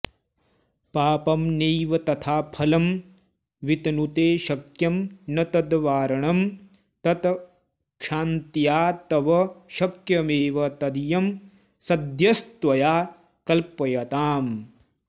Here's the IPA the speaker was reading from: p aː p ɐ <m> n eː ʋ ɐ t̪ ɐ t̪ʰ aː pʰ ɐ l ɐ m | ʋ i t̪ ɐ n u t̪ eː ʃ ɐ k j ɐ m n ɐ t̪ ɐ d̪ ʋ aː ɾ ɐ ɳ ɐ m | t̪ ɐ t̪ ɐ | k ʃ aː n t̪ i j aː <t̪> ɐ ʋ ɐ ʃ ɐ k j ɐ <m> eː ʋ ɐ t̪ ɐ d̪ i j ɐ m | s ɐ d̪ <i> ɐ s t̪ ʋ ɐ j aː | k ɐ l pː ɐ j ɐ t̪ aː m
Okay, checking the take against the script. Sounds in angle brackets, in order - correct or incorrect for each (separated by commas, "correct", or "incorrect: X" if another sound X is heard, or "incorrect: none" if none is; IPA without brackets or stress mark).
correct, correct, correct, incorrect: j